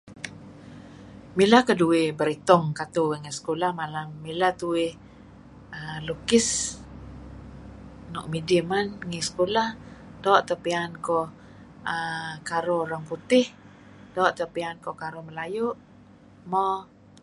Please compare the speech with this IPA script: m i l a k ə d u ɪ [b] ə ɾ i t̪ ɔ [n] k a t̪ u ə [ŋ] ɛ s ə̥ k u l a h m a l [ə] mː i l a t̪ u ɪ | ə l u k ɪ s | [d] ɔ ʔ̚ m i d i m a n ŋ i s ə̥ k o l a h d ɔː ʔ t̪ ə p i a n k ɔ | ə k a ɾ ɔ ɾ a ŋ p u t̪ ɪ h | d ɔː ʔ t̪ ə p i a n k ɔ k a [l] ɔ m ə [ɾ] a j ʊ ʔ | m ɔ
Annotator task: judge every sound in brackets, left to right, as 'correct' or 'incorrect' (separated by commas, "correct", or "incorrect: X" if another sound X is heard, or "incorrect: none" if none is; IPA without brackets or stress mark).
correct, incorrect: ŋ, correct, incorrect: a, incorrect: n, incorrect: ɾ, incorrect: l